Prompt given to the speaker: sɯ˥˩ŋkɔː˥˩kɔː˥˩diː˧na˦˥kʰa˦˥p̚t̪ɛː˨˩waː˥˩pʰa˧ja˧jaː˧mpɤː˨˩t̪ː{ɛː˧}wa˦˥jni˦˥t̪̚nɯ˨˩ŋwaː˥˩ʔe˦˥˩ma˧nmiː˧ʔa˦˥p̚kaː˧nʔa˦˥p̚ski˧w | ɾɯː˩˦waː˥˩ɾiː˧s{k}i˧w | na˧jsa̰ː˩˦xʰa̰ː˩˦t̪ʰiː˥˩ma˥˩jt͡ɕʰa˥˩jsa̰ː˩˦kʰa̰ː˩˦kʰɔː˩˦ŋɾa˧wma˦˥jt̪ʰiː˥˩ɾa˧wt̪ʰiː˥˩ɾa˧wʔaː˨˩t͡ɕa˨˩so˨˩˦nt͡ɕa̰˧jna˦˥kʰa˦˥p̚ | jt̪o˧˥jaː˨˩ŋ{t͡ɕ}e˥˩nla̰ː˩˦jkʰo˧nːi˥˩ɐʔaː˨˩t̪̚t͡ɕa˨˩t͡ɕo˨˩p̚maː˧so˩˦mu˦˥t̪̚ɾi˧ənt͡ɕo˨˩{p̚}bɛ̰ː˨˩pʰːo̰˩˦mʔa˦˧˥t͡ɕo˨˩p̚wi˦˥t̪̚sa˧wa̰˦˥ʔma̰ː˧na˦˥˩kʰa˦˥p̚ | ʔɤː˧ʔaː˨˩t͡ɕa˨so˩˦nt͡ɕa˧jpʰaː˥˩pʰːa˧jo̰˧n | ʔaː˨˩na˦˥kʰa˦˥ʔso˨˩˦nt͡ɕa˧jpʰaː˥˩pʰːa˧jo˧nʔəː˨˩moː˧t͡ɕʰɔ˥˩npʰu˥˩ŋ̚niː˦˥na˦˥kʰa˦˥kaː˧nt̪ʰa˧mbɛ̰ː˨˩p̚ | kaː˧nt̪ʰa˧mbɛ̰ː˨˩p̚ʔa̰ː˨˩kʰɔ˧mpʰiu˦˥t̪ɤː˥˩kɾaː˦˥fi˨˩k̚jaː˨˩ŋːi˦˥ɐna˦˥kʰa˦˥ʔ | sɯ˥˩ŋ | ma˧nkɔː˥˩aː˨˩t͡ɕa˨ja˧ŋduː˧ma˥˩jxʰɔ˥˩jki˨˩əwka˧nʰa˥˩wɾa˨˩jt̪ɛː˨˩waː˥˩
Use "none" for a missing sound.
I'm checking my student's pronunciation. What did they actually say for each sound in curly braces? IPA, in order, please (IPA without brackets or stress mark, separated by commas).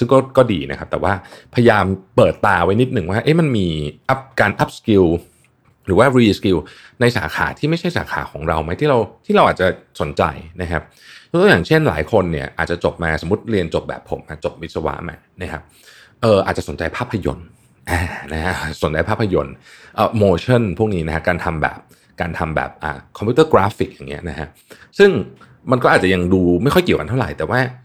aː˧, k, t͡ɕʰ, p̚